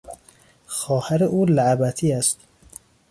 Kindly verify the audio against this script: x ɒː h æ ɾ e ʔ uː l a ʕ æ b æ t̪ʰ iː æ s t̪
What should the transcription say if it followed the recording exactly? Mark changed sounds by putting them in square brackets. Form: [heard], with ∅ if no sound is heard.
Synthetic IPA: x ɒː h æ ɾ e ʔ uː l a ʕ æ b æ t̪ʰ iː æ s t̪